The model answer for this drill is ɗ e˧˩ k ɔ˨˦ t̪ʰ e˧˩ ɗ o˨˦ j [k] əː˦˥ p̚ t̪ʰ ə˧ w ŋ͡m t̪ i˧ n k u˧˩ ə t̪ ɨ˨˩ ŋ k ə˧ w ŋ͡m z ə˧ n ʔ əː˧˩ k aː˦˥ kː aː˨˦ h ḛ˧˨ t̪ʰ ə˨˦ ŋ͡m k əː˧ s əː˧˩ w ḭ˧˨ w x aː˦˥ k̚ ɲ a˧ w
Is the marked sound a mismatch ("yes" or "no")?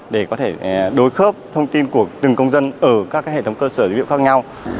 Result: yes